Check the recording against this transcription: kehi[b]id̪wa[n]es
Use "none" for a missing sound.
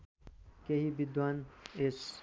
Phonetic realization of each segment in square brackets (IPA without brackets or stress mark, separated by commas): b, n